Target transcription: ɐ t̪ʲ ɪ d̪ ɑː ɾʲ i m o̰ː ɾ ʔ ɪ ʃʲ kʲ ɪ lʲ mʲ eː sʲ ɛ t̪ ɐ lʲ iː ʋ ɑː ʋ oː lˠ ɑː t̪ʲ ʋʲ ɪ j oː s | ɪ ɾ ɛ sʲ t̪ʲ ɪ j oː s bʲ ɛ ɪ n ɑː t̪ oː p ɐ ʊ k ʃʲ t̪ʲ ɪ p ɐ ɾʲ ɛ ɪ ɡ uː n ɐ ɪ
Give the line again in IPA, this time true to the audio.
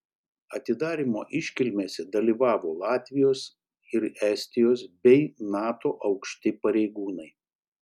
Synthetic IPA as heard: ɐ t̪ʲ ɪ d̪ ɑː ɾʲ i m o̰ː ʔ ɪ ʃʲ kʲ ɪ lʲ mʲ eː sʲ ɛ d̪ ɐ lʲ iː ʋ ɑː ʋ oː lˠ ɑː t̪ʲ ʋʲ ɪ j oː s | ɪ ɾ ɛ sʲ t̪ʲ ɪ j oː s bʲ ɛ ɪ n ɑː t̪ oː ʔ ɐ ʊ k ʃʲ t̪ʲ ɪ p ɐ ɾʲ ɛ ɪ ɡ uː n ɐ ɪ